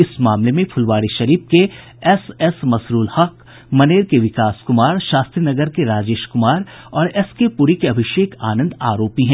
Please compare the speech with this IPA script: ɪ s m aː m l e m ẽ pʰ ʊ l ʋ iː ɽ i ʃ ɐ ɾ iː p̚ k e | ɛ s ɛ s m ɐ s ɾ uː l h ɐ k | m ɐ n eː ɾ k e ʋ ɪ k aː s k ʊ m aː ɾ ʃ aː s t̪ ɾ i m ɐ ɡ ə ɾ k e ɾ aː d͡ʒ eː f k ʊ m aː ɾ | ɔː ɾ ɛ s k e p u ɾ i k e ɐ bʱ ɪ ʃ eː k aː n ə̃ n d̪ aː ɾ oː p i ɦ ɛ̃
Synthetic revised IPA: ɪ s m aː m l e m ẽ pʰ ʊ l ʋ aː ɽ i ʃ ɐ ɾ iː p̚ k e | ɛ s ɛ s m ɐ s ɾ uː l h ɐ k | m ɐ n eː ɾ k e ʋ ɪ k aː s k ʊ m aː ɾ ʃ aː s t̪ ɾ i n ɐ ɡ ə ɾ k e ɾ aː d͡ʒ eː ʃ k ʊ m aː ɾ | ɔː ɾ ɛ s k e p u ɾ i k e ɐ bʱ ɪ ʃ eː k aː n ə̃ n d̪ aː ɾ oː p i ɦ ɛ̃